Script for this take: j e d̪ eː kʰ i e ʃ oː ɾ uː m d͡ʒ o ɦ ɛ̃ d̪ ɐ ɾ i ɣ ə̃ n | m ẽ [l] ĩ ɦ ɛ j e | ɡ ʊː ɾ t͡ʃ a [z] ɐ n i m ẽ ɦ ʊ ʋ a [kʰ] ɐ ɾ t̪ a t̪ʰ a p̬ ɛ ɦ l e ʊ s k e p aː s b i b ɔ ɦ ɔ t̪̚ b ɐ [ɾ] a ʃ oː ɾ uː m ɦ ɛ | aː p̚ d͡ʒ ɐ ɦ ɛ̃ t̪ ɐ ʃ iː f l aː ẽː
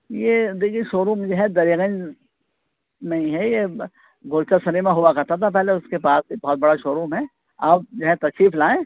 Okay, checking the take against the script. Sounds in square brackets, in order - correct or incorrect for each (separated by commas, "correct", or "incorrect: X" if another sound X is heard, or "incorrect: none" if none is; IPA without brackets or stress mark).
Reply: incorrect: none, incorrect: s, incorrect: k, incorrect: ɽ